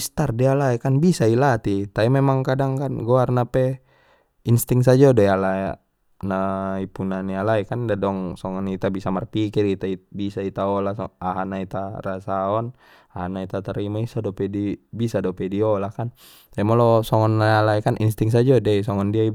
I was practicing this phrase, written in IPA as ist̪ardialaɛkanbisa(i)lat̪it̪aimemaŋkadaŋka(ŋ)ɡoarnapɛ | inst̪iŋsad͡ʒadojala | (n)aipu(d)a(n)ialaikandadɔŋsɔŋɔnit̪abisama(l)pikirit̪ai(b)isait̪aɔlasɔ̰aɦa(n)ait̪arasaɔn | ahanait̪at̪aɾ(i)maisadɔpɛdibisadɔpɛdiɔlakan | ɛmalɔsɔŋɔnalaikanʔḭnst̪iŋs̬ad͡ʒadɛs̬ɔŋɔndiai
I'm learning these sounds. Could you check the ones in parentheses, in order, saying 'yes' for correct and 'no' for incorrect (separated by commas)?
yes, no, yes, no, yes, no, yes, yes, yes